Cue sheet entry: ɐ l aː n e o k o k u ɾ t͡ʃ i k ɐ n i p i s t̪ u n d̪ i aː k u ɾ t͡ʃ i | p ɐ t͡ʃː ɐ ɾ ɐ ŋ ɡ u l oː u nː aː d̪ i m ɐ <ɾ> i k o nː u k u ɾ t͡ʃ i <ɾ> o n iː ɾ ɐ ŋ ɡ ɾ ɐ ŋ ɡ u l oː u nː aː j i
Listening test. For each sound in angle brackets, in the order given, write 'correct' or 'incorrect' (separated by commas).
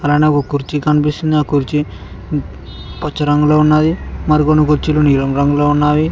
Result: correct, incorrect